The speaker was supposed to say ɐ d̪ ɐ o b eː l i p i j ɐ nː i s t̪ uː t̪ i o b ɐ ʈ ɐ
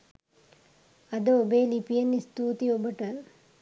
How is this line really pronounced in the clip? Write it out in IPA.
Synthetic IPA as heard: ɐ d̪ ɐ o b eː l i p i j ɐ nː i s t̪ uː t̪ i o b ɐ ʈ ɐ